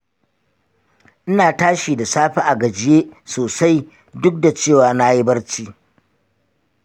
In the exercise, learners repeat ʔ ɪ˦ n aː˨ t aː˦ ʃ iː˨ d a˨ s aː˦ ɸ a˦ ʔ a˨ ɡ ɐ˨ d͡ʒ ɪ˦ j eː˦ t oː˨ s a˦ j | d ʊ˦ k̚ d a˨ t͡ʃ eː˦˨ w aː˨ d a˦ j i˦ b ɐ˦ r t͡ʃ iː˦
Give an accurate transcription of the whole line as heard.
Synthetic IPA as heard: ʔ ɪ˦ n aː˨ t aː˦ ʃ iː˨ d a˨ s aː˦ ɸ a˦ ʔ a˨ ɡ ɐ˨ d͡ʒ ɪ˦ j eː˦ s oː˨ s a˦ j | d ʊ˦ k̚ d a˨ t͡ʃ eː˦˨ w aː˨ n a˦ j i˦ b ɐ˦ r t͡ʃ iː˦

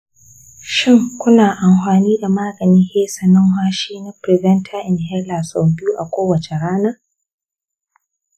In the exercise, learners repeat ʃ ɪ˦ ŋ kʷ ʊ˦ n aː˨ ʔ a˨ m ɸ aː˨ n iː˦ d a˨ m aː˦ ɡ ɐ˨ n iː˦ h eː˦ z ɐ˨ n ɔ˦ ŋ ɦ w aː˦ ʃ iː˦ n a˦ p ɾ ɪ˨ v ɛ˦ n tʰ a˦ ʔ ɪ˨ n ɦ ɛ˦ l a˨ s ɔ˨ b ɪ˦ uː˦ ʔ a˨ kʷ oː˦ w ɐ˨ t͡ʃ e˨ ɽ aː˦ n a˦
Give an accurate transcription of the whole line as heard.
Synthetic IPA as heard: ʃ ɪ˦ ŋ kʷ ʊ˦ n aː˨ ʔ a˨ m ɸ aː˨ n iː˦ d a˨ m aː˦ ɡ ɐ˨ n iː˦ h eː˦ s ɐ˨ n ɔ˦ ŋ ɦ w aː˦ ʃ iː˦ n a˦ p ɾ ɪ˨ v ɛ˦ n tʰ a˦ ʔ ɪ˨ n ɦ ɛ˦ l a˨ s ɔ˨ b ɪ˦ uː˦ ʔ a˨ kʷ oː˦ w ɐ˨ t͡ʃ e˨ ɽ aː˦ n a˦

